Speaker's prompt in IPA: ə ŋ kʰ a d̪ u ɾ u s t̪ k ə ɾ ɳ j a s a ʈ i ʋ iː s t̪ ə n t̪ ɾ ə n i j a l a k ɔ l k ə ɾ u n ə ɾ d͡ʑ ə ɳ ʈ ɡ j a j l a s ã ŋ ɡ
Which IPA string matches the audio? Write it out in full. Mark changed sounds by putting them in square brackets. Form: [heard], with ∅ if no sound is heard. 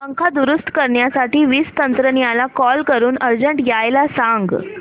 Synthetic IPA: ə ŋ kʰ a d̪ u ɾ u s t̪ k ə ɾ ɳ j a s a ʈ [iː] ʋ iː s t̪ ə n t̪ ɾ ə n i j a l a k ɔ l k ə ɾ [uː] n ə ɾ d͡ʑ ə ɳ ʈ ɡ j a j l a s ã ŋ ɡ